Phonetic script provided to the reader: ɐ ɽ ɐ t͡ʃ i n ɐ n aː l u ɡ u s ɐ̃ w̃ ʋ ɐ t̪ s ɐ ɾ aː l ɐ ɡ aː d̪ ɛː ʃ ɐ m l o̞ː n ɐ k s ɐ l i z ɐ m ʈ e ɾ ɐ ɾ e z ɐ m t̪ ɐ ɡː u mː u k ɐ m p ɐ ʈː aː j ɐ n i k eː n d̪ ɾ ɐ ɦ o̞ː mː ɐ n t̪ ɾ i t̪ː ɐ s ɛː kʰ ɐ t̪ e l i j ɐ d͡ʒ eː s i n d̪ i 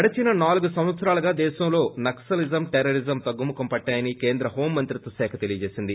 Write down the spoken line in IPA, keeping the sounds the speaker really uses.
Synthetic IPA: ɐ ɽ ɐ t͡ʃ i n ɐ n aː l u ɡ u s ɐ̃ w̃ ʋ ɐ t̪ s ɐ ɾ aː l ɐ ɡ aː d̪ ɛː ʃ ɐ m l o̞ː n ɐ k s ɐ l i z ɐ m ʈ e ɾ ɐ ɾ i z ɐ m t̪ ɐ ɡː u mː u k ɐ m p ɐ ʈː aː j ɐ n i k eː n d̪ ɾ ɐ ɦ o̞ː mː ɐ n t̪ ɾ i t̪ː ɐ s ɛː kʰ ɐ t̪ e l i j ɐ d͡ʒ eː s i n d̪ i

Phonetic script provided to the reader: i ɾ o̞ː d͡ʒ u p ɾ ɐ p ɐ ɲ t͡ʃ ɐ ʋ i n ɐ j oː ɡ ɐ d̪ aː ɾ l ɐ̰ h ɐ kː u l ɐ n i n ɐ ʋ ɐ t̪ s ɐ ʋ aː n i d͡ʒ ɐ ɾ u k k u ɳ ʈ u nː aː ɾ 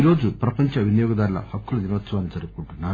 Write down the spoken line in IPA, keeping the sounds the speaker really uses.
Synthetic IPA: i ɾ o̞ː d͡ʒ u p ɾ ɐ p ɐ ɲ t͡ʃ ɐ ʋ i n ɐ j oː ɡ ɐ d̪ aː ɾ l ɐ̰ h ɐ kː u l ɐ n i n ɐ ʋ ɐ t̪ s ɐ ʋ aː n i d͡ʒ ɐ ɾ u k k u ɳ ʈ u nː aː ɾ

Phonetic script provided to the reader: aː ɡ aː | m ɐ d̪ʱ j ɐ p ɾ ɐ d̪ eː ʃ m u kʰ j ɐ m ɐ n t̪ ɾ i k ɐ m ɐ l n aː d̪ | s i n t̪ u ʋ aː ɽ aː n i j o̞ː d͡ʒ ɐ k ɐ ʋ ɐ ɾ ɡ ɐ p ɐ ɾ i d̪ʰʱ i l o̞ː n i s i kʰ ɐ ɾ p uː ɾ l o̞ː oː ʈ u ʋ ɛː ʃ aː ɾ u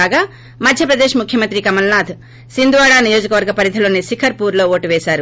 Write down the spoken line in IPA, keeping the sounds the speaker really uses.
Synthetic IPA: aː ɡ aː | m ɐ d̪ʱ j ɐ p ɾ ɐ d̪ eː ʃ m u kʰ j ɐ m ɐ n t̪ ɾ i k ɐ m ɐ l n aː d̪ | s i n d̪ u ʋ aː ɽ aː n i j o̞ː d͡ʒ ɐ k ɐ ʋ ɐ ɾ ɡ ɐ p ɐ ɾ i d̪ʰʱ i l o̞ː n i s i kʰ ɐ ɾ p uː ɾ l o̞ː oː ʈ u ʋ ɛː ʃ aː ɾ u

